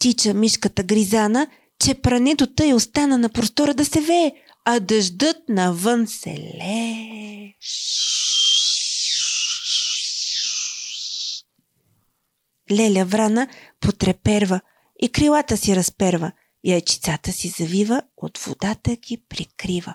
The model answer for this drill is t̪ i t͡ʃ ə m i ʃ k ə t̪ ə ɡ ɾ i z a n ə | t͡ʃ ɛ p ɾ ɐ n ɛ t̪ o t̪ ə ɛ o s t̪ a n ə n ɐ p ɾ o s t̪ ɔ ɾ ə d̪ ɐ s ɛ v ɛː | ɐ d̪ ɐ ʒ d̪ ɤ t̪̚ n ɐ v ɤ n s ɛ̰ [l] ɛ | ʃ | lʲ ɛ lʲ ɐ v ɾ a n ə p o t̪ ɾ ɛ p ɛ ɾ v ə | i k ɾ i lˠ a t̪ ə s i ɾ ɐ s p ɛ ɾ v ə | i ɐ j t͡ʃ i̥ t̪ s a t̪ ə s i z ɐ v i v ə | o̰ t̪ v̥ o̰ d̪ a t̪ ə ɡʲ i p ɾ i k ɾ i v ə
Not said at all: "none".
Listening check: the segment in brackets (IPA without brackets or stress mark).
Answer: l